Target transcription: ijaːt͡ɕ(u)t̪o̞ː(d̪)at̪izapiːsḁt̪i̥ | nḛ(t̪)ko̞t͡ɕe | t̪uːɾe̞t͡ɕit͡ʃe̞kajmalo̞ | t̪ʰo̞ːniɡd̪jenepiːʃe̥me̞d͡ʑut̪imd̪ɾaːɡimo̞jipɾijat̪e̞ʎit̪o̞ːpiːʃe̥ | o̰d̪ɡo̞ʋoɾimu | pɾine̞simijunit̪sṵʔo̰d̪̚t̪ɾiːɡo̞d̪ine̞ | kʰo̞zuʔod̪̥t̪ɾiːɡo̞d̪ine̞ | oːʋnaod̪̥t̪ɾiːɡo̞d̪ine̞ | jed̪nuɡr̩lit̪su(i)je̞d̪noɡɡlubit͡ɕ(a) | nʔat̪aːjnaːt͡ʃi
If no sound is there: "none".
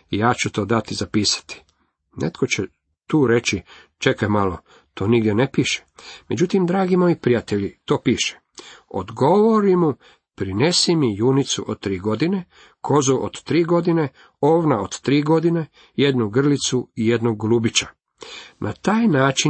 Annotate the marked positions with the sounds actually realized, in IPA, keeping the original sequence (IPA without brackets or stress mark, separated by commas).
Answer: u, d̪, t̪, i, a